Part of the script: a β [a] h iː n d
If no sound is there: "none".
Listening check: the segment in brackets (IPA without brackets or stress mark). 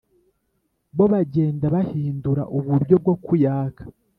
a